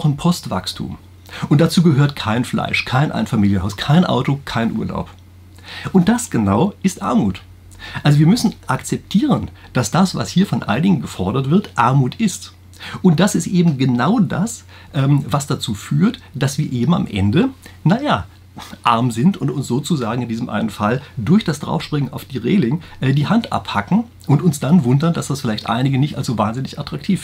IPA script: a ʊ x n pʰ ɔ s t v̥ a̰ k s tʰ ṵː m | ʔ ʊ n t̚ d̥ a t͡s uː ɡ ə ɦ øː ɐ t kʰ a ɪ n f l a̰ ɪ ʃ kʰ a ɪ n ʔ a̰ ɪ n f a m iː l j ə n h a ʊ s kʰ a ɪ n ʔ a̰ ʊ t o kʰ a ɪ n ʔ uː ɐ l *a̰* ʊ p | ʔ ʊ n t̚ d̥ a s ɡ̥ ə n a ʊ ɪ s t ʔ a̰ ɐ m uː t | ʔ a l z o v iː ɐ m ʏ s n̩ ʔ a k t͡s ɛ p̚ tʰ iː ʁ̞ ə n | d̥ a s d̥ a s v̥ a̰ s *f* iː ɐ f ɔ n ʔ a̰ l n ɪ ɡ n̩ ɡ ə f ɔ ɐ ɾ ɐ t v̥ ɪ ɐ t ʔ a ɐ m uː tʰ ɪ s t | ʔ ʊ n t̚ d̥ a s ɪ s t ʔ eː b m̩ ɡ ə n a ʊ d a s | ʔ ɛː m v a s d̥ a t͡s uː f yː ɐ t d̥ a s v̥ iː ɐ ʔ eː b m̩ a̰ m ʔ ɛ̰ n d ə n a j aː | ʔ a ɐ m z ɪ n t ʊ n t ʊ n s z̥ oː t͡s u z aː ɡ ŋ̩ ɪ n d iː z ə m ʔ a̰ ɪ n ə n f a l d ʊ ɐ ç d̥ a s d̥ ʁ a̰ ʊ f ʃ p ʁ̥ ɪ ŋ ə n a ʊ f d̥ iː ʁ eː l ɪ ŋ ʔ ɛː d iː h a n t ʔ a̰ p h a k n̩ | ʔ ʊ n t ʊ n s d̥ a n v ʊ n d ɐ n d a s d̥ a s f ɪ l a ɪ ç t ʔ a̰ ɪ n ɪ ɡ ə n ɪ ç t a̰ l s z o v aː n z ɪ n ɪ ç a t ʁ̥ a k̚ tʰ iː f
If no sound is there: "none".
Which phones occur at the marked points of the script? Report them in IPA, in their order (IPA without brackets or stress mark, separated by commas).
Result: a̰, h